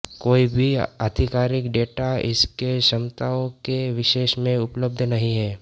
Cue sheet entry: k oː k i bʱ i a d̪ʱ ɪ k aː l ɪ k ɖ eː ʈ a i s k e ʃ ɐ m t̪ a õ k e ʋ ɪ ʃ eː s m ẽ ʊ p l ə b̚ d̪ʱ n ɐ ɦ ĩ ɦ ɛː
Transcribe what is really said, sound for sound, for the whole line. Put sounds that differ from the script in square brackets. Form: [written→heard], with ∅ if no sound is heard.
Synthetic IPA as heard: k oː [k→∅] i bʱ i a d̪ʱ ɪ k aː [l→ɾ] ɪ k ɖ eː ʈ a [i→ɪ] s k e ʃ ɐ m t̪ a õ k e ʋ ɪ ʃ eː [s→ʃ] m ẽ ʊ p l ə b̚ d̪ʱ n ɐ ɦ ĩ ɦ ɛː

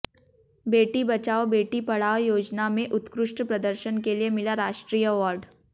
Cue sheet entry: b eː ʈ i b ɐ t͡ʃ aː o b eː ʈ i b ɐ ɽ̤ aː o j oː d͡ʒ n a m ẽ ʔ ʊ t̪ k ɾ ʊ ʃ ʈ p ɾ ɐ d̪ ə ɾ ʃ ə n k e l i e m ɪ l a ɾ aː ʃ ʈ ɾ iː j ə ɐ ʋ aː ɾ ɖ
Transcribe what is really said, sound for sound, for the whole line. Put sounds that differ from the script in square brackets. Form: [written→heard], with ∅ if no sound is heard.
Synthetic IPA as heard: b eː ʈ i b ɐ t͡ʃ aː o b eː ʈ i [b→p] ɐ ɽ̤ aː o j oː d͡ʒ n a m ẽ ʔ ʊ t̪ k ɾ ʊ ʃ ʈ p ɾ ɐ d̪ ə ɾ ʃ ə n k e l i e m ɪ l a ɾ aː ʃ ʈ ɾ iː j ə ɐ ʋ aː ɾ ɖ

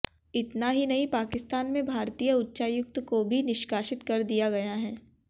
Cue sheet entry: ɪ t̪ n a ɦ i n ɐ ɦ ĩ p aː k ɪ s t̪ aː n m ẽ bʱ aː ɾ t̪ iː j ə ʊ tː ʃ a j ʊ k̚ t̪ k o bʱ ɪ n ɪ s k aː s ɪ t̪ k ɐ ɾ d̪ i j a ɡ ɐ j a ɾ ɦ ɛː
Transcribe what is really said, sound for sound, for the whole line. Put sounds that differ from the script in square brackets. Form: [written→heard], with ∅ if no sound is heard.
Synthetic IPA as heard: ɪ t̪ n a ɦ i n ɐ ɦ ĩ p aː k ɪ s t̪ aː n m ẽ bʱ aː ɾ t̪ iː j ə ʊ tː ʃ a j ʊ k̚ t̪ k o bʱ [ɪ→i] n ɪ [s→ʃ] k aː [s→ʃ] ɪ t̪ k ɐ ɾ d̪ i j a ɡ ɐ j a [ɾ→∅] ɦ ɛː

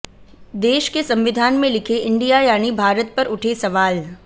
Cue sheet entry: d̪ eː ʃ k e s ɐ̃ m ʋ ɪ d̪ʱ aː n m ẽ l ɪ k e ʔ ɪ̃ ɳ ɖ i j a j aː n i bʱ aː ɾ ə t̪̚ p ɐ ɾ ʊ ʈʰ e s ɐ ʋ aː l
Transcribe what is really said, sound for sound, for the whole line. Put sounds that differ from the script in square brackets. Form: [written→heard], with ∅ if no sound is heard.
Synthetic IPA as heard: d̪ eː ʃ k e s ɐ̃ m ʋ ɪ d̪ʱ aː n m ẽ l ɪ [k→kʰ] e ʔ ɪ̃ ɳ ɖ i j a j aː n i bʱ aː ɾ ə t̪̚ p ɐ ɾ ʊ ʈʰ e s ɐ ʋ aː l

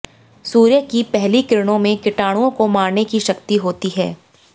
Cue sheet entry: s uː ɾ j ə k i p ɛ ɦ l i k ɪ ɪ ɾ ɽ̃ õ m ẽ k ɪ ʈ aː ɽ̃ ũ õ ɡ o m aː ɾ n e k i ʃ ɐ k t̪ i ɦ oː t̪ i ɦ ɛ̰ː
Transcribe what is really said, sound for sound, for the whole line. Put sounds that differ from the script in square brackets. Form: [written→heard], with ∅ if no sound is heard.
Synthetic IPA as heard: s uː ɾ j ə k i p ɛ ɦ l i k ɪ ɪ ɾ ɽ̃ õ m ẽ k ɪ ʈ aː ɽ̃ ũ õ [ɡ→k] o m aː ɾ n e k i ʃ ɐ k t̪ i ɦ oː t̪ i ɦ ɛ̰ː

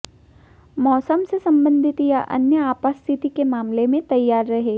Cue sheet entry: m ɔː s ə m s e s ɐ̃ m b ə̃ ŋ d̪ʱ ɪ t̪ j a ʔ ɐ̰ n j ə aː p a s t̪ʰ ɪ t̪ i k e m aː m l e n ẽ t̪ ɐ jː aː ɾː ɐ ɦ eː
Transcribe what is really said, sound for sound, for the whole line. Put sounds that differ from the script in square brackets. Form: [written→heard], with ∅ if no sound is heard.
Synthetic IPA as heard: m ɔː s ə m s e s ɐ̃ m b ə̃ [ŋ→n] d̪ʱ ɪ t̪ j a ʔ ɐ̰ n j ə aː p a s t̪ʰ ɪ t̪ i k e m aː m l e [n→m] ẽ t̪ ɐ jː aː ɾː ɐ ɦ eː

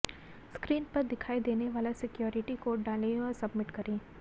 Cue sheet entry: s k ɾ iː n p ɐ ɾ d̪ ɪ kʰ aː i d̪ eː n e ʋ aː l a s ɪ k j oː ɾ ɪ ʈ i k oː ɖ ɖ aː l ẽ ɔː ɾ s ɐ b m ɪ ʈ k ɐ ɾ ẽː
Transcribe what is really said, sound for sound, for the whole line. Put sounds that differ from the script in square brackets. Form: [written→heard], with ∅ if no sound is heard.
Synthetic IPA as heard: s k ɾ iː n p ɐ ɾ d̪ ɪ kʰ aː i d̪ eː n e ʋ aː l a s ɪ k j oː ɾ ɪ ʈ i k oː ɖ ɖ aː l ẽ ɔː ɾ s ɐ b m ɪ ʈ k ɐ ɾ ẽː

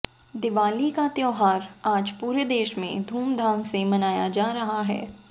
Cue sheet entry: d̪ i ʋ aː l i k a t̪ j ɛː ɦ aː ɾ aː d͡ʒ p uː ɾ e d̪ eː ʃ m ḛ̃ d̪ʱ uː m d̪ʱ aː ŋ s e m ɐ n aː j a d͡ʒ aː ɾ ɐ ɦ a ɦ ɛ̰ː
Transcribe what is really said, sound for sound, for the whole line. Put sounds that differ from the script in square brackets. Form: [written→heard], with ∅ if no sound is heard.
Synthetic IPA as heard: d̪ [i→ɪ] ʋ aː l i k a t̪ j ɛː ɦ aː ɾ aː d͡ʒ p uː ɾ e d̪ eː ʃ m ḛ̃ d̪ʱ uː m d̪ʱ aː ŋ s e m ɐ n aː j a d͡ʒ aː ɾ ɐ ɦ a ɦ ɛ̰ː

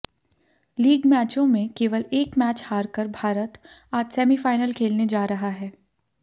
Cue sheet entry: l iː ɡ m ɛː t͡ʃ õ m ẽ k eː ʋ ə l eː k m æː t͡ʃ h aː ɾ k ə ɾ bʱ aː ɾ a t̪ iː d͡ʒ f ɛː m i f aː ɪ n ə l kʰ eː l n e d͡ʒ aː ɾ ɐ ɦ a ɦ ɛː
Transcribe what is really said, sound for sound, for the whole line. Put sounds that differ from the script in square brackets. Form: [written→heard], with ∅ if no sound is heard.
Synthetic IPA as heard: l iː ɡ m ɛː t͡ʃ õ m ẽ k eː ʋ ə l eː k m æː t͡ʃ h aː ɾ k ə ɾ bʱ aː ɾ [a→ə] t̪ [iː→aː] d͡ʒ [f→s] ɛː m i f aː ɪ n ə l kʰ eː l n e d͡ʒ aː ɾ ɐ ɦ a ɦ ɛː

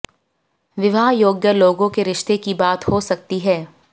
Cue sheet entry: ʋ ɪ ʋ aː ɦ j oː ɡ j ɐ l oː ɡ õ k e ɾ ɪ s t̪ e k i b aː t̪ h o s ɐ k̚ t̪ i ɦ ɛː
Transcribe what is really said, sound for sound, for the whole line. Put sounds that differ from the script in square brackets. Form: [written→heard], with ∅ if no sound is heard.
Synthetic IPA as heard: ʋ ɪ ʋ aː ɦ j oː ɡ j [ɐ→ə] l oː ɡ õ k e ɾ ɪ [s→ʃ] t̪ e k i b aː t̪ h o s ɐ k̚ t̪ i ɦ ɛː

